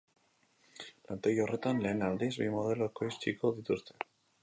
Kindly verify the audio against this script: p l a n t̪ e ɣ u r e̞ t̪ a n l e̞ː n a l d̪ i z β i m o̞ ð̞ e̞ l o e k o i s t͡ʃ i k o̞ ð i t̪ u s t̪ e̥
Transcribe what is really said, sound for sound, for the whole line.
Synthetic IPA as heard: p l a n t̪ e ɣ o r e̞ t̪ a n l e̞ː n a l d̪ i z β i m o̞ ð̞ e̞ l o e k o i s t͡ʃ i k o̞ ð i t̪ u s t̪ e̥